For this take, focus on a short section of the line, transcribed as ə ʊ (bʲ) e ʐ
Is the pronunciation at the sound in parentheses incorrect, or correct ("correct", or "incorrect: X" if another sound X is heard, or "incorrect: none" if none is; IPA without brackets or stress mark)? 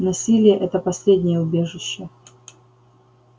correct